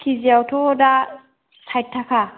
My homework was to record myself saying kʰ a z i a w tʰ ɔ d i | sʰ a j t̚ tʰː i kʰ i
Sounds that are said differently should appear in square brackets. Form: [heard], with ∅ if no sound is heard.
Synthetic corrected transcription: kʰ [i] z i a w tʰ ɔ d [a] | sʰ a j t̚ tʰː [a] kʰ [a]